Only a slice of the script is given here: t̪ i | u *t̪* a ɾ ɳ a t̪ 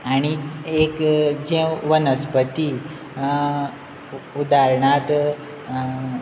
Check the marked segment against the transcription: incorrect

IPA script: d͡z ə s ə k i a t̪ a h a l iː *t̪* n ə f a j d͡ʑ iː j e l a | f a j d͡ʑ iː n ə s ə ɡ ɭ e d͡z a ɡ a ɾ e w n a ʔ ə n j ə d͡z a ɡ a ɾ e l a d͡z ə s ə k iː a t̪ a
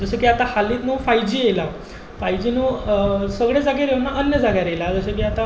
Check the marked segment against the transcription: correct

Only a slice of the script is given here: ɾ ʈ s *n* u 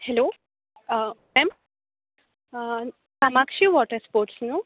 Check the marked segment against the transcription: correct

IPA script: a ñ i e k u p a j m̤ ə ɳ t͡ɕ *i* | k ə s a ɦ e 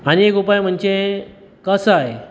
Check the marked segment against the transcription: incorrect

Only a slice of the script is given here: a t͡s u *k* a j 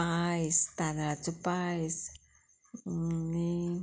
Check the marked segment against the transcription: incorrect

